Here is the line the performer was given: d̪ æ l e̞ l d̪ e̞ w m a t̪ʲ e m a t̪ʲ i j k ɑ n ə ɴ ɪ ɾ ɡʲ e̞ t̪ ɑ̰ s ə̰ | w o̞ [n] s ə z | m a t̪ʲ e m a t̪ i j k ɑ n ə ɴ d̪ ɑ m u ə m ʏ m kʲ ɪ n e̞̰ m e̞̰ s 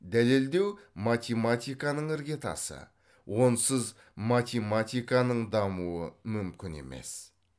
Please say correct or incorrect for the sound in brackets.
correct